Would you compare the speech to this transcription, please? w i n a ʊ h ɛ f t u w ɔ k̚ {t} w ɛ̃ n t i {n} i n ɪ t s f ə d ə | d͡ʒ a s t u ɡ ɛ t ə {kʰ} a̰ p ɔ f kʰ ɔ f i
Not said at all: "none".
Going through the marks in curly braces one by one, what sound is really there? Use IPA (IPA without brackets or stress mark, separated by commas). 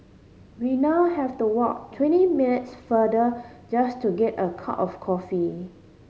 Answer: tʰ, m, kʰ